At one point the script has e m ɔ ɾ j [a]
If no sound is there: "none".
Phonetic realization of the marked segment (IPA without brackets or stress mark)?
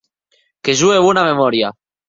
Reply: a